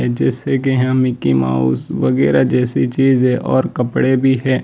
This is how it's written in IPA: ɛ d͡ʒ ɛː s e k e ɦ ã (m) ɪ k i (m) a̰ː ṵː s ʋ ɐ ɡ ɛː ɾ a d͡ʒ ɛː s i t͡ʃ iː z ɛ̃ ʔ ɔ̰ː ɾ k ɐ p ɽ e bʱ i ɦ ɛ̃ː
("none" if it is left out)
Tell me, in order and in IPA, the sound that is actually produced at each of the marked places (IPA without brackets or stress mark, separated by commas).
m, m